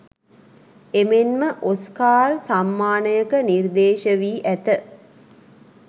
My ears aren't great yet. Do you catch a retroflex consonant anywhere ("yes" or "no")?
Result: no